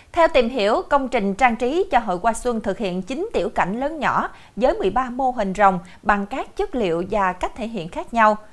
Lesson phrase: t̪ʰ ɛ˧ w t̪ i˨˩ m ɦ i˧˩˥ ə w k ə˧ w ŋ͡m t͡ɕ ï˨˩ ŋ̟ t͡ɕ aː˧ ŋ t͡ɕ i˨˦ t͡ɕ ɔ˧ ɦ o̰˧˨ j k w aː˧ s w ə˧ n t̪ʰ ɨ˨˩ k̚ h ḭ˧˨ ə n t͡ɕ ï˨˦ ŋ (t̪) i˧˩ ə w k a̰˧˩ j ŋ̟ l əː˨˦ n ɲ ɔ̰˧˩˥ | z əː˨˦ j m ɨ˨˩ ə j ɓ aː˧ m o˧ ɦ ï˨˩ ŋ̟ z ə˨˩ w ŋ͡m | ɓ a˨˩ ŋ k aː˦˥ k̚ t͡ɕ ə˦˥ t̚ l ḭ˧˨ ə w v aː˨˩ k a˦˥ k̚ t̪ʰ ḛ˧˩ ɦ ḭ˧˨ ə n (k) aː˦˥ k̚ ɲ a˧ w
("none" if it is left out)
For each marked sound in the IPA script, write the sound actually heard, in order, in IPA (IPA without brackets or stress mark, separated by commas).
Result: t̪, x